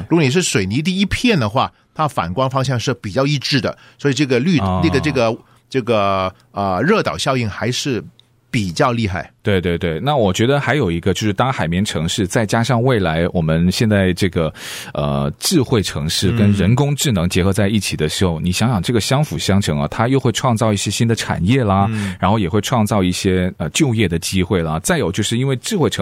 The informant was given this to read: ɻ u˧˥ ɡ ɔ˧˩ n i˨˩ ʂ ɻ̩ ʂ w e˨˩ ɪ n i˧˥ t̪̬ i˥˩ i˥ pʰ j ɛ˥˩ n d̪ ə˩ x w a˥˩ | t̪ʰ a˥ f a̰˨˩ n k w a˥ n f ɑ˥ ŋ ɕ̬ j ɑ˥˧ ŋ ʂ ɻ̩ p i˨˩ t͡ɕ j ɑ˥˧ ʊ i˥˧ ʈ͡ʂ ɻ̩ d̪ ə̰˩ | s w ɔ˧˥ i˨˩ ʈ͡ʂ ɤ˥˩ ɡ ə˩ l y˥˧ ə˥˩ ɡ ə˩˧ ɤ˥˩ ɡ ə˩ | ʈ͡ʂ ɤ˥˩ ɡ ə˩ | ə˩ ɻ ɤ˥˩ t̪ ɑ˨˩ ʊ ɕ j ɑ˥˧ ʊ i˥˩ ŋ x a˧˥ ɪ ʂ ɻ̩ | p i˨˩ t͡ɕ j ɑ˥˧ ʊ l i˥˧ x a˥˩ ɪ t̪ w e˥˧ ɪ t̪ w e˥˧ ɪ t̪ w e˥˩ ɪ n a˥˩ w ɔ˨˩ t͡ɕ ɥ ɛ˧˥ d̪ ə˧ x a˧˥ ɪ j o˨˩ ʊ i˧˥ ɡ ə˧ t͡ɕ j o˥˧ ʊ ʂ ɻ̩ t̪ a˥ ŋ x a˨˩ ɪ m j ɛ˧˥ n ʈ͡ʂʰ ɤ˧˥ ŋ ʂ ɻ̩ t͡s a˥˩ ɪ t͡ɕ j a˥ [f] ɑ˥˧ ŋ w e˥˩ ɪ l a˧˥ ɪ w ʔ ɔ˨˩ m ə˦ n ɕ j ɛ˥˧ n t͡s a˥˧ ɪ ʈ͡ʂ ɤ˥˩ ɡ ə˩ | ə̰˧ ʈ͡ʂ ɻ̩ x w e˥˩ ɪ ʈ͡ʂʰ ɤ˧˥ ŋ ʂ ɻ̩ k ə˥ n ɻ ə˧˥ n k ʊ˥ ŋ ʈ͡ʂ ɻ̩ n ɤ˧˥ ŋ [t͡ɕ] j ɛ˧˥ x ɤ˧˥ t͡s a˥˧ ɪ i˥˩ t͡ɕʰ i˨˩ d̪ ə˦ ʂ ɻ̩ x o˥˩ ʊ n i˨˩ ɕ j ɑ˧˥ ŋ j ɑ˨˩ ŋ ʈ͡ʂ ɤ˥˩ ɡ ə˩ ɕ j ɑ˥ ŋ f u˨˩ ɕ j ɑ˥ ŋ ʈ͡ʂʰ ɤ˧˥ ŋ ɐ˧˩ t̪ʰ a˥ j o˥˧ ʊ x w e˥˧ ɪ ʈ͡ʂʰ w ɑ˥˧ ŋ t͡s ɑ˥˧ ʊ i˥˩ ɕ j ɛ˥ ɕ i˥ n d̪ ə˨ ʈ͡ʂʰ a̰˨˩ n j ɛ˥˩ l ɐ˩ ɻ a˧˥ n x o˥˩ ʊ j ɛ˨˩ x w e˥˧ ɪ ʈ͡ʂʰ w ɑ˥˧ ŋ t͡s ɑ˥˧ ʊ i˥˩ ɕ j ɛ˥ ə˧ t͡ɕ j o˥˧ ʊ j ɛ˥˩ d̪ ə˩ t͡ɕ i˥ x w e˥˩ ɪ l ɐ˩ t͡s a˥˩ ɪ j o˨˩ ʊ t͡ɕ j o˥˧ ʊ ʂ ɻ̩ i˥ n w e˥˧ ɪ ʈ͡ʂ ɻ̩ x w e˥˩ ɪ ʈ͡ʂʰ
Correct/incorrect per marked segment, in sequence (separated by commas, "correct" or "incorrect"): incorrect, correct